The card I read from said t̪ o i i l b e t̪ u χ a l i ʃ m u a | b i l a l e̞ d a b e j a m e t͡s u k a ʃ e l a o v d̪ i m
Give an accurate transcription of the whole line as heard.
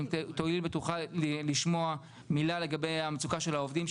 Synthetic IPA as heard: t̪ o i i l b e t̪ u χ a l i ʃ m o a | m i l a l e̞ ɡ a b e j a m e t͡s u k a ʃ e l a o v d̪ i m